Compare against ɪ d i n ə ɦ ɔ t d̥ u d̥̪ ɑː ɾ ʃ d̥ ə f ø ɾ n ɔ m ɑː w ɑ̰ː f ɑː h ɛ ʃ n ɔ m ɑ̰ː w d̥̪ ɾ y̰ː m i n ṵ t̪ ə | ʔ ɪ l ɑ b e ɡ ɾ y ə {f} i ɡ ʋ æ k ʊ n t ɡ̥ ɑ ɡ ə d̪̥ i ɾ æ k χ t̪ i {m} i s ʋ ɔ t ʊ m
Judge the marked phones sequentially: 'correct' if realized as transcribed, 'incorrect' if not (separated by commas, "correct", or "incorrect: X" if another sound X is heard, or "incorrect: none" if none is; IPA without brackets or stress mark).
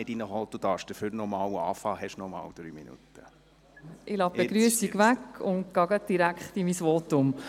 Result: incorrect: s, correct